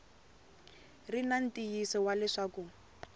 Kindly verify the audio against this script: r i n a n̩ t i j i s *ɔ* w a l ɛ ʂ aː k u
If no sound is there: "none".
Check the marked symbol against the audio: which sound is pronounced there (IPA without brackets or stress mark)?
ɔ